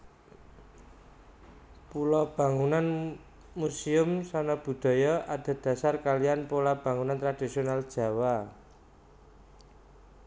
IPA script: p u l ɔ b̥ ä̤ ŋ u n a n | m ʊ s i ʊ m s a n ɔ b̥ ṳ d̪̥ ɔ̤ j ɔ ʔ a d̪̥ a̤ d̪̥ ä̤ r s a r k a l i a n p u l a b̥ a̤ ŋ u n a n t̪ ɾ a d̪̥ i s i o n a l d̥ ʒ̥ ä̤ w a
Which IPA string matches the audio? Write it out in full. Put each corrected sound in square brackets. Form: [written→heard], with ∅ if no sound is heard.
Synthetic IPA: p u l ɔ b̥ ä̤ ŋ u n a n | m [ʊ→u] s i ʊ m s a n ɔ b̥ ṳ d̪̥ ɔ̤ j ɔ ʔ a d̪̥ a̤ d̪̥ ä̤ [r→∅] s a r k a l i a n p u l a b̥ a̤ ŋ u n a n t̪ ɾ a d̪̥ i s i o n a l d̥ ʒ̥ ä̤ w a